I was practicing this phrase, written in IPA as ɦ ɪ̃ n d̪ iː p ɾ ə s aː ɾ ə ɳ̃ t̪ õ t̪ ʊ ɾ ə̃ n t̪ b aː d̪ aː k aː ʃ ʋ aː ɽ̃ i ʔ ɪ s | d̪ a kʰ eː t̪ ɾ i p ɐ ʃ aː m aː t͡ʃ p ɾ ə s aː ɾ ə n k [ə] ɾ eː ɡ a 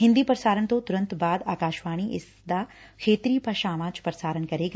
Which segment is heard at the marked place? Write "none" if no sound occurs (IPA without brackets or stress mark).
ɐ